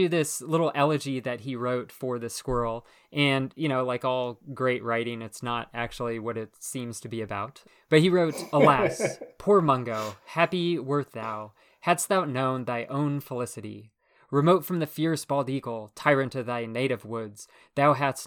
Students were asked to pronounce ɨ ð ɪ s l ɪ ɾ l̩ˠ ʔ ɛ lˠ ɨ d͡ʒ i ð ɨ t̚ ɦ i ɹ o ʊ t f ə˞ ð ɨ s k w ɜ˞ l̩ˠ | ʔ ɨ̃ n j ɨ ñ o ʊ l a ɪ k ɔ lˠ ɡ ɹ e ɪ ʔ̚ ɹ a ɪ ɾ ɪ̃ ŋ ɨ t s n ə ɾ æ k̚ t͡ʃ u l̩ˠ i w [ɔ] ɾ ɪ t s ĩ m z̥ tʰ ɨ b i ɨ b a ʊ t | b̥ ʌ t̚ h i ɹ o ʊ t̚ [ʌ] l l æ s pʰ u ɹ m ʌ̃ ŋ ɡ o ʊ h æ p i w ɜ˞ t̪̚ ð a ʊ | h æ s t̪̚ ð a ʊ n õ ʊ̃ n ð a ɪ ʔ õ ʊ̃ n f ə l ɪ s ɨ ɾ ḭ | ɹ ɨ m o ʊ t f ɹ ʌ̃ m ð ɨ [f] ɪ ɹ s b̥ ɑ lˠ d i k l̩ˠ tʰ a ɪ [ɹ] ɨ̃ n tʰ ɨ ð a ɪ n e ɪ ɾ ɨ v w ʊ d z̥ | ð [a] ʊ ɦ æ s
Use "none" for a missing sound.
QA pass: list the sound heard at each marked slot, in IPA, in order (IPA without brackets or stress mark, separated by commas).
ʌ, ə, f, ɹ, a